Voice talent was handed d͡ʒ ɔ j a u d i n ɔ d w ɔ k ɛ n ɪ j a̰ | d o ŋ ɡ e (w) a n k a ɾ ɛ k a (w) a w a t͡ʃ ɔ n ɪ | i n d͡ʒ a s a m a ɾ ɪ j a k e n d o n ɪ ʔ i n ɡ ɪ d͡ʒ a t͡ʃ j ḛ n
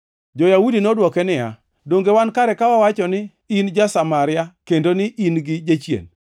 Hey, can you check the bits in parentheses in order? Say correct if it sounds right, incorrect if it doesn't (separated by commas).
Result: correct, correct